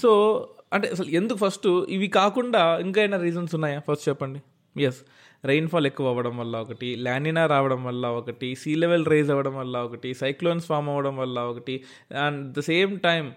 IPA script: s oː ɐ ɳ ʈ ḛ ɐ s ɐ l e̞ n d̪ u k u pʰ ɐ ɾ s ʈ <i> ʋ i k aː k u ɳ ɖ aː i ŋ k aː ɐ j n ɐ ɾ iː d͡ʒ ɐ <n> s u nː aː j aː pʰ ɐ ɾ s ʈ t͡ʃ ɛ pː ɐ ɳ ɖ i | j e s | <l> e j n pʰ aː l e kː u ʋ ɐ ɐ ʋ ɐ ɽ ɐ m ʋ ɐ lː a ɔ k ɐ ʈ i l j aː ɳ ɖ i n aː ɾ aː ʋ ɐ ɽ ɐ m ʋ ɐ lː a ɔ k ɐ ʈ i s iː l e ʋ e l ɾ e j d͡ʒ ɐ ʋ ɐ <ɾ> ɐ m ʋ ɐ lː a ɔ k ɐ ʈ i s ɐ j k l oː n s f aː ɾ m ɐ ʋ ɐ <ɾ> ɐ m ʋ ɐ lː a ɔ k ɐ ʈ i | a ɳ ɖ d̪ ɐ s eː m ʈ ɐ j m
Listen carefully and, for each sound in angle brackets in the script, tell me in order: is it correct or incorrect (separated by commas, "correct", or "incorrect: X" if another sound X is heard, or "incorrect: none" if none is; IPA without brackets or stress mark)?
correct, correct, incorrect: ɾ, incorrect: ɽ, incorrect: ɽ